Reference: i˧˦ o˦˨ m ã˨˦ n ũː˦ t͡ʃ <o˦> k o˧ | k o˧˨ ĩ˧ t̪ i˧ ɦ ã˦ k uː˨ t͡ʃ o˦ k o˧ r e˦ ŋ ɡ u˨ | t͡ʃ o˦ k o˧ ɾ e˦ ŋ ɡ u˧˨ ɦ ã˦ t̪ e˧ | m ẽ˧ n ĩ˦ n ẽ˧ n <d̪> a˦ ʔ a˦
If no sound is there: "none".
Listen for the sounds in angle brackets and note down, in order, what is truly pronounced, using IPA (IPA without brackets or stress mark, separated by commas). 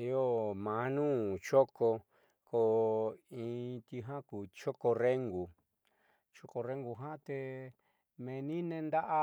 o˦, d̪